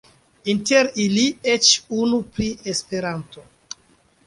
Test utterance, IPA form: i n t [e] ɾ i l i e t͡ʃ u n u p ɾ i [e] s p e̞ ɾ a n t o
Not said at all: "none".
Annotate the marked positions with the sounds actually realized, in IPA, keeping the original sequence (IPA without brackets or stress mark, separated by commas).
e, e